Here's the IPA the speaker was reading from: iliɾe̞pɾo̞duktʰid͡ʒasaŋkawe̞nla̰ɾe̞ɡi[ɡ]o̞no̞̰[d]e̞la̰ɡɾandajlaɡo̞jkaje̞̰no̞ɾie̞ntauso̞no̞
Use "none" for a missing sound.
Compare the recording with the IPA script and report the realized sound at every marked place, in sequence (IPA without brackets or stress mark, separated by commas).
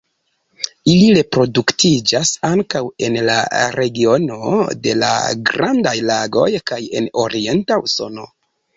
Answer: none, d